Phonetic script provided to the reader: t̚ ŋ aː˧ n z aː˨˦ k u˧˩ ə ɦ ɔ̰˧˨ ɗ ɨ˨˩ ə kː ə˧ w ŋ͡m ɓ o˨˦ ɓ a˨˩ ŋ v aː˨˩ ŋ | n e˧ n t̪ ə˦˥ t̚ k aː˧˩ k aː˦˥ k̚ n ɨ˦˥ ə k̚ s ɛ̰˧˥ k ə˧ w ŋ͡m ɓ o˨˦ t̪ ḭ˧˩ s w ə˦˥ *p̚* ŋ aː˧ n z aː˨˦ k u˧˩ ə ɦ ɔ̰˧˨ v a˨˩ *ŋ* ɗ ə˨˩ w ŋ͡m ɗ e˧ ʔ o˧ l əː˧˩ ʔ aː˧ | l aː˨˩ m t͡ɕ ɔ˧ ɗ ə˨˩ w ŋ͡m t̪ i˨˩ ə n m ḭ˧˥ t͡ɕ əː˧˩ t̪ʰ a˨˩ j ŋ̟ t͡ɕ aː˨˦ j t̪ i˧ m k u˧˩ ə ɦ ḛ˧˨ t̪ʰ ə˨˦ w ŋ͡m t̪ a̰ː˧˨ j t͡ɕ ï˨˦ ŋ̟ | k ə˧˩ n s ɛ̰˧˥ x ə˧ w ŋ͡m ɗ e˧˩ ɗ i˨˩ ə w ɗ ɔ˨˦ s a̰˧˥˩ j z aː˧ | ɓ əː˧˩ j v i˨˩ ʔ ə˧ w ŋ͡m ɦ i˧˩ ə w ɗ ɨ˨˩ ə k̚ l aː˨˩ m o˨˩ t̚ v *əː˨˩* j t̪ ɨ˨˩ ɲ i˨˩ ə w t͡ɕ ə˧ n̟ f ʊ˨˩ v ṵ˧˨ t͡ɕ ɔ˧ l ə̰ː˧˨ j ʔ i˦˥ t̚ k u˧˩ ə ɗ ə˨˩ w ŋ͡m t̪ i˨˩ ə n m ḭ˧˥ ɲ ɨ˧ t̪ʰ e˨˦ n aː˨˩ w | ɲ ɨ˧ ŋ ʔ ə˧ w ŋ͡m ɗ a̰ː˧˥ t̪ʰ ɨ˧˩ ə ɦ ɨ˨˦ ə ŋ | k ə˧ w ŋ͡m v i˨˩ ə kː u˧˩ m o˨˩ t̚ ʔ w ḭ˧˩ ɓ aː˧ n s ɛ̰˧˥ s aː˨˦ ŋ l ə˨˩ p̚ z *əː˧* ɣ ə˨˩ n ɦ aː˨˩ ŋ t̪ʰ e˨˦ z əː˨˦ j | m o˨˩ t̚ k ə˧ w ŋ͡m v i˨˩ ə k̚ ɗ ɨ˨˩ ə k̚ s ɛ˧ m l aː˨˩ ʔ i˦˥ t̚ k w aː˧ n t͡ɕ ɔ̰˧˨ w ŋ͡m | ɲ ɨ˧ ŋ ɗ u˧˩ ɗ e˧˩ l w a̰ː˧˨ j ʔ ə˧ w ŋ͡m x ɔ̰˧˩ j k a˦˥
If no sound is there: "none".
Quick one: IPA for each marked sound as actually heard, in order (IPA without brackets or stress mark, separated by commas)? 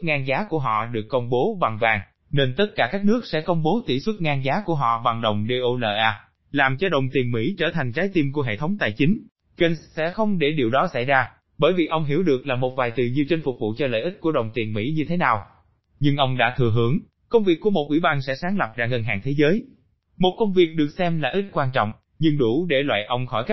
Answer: t̚, ŋ, aː˨˩, aː˧